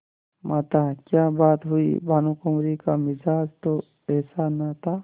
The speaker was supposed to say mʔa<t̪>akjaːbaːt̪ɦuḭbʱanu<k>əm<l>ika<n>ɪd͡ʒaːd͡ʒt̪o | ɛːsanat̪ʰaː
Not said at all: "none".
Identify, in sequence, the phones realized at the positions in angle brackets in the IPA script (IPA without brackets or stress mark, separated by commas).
t̪, k, ɾ, m